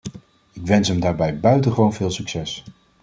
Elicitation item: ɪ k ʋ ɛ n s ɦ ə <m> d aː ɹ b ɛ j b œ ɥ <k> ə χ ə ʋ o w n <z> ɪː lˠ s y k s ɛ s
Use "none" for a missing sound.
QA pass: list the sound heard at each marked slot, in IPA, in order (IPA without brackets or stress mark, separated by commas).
m, t, v